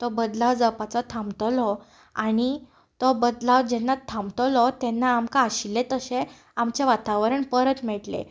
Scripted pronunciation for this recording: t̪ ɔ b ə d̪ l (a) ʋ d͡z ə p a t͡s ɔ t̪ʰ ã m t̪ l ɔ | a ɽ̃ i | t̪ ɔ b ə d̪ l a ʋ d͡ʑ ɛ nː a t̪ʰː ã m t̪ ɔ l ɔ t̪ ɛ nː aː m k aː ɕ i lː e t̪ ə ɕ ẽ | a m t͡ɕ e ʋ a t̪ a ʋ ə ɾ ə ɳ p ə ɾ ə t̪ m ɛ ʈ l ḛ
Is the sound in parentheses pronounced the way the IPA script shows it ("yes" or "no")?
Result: yes